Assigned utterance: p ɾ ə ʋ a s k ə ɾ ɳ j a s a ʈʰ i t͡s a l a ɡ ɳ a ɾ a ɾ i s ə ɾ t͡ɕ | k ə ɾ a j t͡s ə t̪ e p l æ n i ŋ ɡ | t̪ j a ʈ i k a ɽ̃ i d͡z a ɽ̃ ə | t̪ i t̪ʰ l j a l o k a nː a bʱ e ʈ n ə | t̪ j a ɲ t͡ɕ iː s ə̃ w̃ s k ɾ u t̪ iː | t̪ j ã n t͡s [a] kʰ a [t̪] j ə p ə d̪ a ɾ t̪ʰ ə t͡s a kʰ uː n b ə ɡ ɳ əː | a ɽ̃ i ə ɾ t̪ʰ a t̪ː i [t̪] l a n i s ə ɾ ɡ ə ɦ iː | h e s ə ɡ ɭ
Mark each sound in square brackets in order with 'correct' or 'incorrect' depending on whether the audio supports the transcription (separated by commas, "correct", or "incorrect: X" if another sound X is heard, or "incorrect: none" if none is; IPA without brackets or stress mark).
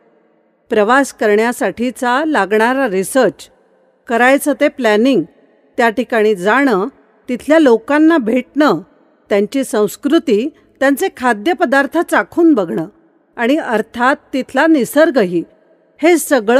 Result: incorrect: e, incorrect: d̪, incorrect: t̪ʰ